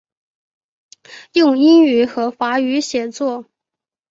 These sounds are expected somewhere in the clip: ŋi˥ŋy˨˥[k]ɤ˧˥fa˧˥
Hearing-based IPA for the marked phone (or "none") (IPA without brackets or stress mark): x